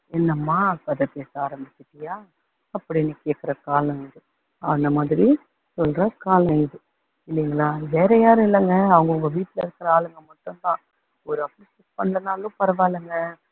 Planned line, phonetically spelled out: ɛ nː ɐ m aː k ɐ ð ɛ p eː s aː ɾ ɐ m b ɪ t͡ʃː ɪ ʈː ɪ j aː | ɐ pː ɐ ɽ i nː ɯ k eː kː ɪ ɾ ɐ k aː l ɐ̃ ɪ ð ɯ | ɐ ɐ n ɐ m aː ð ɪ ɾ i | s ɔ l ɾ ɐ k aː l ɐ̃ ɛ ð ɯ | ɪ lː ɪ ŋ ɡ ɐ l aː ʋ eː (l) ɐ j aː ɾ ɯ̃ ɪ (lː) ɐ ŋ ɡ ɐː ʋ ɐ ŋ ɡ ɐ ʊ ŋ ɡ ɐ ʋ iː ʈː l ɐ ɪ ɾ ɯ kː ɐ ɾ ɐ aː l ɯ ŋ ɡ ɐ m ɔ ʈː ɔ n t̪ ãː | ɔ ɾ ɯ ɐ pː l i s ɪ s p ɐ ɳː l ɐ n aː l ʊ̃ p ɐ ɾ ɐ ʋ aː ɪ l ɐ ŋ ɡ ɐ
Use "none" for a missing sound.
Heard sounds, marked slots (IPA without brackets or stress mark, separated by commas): ɾ, lː